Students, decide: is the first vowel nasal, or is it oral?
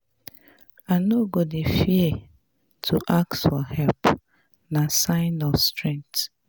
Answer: oral